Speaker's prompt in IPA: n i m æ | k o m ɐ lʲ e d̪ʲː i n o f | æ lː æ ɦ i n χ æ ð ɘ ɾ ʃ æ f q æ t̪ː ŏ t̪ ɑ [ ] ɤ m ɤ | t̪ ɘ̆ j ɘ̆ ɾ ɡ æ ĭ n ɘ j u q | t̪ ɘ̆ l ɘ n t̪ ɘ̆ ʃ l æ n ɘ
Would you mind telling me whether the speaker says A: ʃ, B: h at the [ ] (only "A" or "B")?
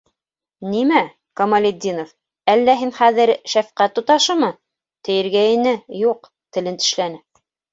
A